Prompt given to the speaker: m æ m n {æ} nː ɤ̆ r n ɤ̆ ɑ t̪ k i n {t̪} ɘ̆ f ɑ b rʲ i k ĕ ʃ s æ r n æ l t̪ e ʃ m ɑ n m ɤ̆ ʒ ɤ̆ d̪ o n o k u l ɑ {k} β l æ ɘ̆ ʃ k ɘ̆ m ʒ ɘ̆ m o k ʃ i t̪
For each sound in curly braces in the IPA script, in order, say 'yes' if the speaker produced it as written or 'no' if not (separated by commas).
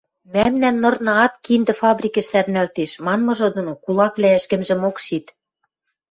yes, no, yes